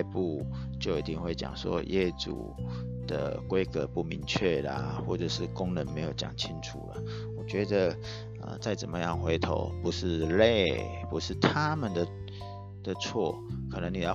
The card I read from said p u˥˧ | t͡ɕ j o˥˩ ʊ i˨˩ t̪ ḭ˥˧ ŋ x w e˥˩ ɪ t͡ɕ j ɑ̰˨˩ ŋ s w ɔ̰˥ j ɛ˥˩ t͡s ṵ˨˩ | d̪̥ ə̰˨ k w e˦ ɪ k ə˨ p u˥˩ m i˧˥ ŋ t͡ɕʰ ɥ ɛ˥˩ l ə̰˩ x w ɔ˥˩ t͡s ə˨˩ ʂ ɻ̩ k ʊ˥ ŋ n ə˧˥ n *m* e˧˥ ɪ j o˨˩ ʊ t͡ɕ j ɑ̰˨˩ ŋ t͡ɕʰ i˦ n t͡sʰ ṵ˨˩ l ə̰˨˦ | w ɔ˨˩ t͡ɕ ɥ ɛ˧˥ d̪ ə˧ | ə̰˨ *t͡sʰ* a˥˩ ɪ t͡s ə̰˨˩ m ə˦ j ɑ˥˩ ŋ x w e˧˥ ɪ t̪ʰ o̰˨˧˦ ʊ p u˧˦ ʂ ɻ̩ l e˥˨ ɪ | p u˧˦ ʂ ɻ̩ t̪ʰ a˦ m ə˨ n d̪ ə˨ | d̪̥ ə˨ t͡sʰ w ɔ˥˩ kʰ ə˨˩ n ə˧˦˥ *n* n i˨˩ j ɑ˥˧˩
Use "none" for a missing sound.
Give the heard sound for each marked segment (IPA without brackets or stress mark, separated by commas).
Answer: m, t͡s, ŋ